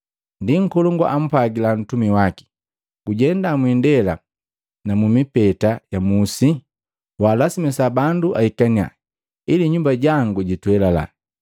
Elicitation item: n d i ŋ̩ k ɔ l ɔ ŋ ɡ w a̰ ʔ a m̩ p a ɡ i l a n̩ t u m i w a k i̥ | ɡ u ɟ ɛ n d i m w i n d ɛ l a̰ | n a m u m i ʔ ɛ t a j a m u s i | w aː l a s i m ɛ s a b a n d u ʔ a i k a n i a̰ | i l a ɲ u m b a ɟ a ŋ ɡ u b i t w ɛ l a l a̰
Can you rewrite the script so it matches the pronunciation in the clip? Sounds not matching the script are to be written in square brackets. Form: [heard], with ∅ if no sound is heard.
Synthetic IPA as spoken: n d i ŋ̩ k ɔ l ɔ ŋ ɡ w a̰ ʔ a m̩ p a ɡ i l a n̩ t u m i w a k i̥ | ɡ u ɟ ɛ n d [a] m w i n d ɛ l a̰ | n a m u m i [p] ɛ t a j a m u s i | w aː l a s i m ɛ s a b a n d u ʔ a i k a n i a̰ | i l [i] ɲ u m b a ɟ a ŋ ɡ u [ɟ] i t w ɛ l a l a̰